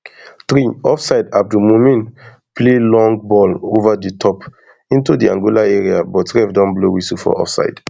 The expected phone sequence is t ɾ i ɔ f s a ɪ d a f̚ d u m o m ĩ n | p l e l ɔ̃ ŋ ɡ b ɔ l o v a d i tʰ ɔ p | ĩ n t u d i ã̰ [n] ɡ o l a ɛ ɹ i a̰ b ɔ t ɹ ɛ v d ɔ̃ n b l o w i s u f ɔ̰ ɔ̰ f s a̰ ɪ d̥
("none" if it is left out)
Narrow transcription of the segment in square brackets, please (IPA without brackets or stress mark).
ŋ